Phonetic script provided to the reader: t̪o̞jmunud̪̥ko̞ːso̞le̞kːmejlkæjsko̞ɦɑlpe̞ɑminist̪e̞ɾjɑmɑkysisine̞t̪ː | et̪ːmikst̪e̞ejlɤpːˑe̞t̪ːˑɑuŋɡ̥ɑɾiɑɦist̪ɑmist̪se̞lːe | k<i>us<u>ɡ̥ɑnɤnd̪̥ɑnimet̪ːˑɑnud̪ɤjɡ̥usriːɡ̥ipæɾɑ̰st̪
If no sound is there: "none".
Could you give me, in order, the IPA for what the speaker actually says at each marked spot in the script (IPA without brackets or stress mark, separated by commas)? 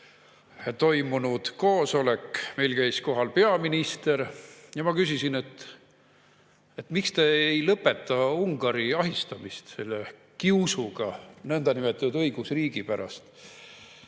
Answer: i, u